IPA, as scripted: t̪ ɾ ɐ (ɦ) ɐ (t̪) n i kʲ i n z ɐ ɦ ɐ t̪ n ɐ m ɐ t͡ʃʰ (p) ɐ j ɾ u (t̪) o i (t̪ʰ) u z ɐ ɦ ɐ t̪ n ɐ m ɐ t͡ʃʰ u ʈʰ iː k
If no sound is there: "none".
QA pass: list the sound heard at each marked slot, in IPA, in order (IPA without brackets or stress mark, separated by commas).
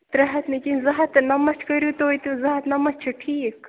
ɦ, t̪, k, t̪, t̪